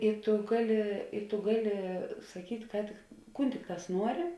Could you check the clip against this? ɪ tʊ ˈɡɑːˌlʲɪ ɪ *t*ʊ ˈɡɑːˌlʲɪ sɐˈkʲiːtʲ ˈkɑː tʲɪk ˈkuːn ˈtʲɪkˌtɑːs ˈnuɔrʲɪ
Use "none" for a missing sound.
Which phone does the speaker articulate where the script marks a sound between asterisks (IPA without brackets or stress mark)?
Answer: t